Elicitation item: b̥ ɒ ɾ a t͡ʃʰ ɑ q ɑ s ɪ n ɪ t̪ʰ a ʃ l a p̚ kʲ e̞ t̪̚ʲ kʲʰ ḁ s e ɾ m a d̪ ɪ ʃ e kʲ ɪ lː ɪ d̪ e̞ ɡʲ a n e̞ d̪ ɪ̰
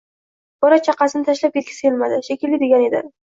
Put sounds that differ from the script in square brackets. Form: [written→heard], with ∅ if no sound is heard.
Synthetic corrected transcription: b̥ ɒ ɾ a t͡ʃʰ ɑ q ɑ s ɪ n ɪ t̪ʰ a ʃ l a p̚ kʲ e̞ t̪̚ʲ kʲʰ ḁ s e [ɾ→l] m a d̪ ɪ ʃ e kʲ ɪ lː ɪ d̪ e̞ ɡʲ a n e̞ d̪ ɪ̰